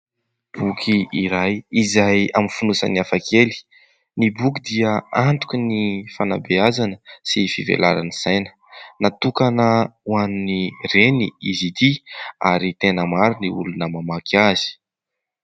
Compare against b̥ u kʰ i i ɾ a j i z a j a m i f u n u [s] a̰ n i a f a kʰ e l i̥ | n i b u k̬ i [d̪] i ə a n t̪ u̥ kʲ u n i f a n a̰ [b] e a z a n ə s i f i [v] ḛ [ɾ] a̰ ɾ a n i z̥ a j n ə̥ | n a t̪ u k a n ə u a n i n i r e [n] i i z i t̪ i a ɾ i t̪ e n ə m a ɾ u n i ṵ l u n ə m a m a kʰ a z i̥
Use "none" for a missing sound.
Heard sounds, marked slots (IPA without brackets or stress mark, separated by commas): s, d̪, b, v, l, n